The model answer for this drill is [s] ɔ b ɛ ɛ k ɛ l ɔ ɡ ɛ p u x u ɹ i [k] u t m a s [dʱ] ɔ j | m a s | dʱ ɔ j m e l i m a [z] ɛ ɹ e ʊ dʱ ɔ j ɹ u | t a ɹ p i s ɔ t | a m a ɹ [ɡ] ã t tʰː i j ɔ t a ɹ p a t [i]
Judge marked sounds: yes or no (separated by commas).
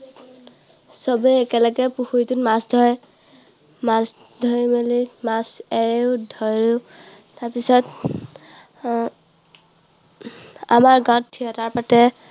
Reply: yes, no, yes, no, yes, no